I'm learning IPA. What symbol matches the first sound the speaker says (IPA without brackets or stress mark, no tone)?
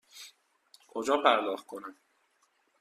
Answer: kʰ